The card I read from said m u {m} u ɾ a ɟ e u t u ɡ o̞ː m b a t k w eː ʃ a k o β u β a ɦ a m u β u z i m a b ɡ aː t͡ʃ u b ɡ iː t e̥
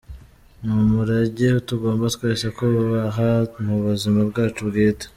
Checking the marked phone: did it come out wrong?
no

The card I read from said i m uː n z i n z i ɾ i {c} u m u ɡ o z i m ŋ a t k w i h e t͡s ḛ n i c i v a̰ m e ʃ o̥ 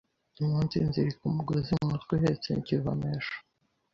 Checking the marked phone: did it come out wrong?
yes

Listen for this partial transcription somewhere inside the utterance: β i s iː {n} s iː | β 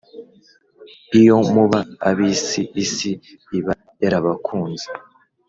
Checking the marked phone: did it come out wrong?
yes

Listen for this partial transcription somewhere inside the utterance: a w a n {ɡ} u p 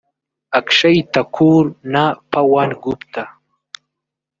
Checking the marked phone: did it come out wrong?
no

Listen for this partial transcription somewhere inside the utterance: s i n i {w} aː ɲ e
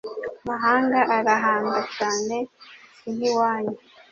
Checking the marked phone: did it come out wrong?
no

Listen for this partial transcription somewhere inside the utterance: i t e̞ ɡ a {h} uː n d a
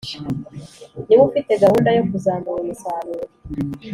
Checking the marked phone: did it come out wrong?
no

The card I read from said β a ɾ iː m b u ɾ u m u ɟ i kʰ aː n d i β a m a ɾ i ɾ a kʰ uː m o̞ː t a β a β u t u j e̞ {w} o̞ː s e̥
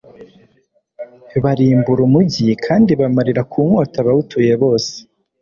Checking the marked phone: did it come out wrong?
yes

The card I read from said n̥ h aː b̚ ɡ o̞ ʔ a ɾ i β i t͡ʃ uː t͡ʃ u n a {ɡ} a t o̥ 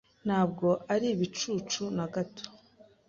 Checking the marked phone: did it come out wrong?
no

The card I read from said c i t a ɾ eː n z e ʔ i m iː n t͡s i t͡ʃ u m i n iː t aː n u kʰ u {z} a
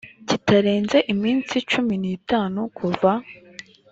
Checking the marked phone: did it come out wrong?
yes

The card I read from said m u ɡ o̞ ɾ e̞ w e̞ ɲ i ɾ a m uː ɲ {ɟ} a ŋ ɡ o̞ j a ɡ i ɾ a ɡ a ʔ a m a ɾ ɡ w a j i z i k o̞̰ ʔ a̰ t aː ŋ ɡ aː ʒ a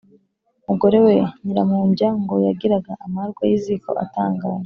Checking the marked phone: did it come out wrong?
no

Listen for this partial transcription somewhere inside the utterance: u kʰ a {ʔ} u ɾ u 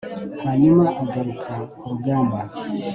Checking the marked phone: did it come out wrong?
yes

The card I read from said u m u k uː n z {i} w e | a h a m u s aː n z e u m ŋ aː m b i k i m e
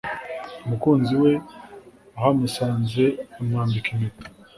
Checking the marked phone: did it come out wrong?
no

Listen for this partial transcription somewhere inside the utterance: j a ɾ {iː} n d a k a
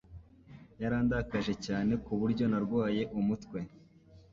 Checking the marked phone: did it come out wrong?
yes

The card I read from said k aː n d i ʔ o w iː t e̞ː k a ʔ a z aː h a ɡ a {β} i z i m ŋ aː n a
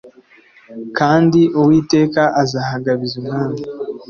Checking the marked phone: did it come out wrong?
no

